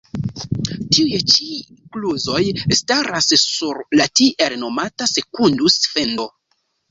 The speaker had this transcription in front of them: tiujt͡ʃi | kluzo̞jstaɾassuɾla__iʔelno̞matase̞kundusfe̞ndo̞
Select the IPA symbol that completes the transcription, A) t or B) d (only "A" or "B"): A